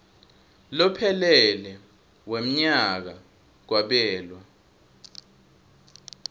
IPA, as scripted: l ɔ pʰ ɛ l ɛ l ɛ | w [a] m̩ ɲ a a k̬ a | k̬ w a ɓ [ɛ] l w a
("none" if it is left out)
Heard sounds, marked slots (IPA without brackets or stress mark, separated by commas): e, ɛː